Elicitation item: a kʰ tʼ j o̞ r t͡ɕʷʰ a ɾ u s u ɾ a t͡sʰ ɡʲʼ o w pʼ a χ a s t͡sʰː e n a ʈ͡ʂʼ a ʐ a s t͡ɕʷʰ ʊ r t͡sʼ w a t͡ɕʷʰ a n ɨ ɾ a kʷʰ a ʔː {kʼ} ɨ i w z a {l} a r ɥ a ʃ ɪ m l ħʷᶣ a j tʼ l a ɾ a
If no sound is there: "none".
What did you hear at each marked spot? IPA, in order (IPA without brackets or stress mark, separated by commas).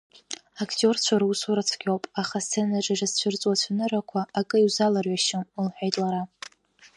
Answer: kʼ, l